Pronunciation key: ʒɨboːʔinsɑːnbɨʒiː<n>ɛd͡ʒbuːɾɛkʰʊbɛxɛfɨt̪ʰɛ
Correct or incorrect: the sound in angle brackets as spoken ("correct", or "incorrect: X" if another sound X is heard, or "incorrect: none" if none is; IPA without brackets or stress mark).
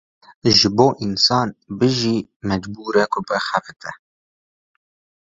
incorrect: m